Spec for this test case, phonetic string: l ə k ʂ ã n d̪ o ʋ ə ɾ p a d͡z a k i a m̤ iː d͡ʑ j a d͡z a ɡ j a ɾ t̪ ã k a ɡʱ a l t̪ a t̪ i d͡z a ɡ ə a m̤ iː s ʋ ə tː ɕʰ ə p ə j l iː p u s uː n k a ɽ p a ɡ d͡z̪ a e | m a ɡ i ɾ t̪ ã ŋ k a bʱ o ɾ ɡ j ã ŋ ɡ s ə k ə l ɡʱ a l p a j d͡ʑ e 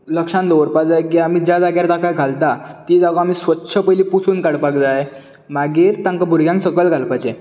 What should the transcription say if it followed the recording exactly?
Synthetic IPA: l ə k ʂ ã n d̪ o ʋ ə ɾ p a d͡z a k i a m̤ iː d͡ʑ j a d͡z a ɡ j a ɾ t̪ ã k a ɡʱ a l t̪ a t̪ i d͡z a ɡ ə a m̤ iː s ʋ ə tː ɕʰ ə p ə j l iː p u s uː n k a ɽ p a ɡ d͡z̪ a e | m a ɡ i ɾ t̪ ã ŋ k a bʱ u ɾ ɡ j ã ŋ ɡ s ə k ə l ɡʱ a l p a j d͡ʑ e